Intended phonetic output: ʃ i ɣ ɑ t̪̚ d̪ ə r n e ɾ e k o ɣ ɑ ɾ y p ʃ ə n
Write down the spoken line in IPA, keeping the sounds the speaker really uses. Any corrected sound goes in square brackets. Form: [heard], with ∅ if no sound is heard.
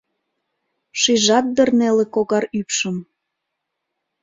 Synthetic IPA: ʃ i [ʒ] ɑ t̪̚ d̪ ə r n e [l] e k o ɣ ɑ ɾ y p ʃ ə [m]